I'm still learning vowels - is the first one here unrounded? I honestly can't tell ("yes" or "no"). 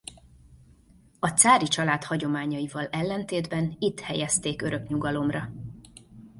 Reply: no